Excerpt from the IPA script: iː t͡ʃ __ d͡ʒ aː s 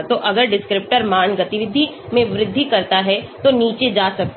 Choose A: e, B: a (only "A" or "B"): A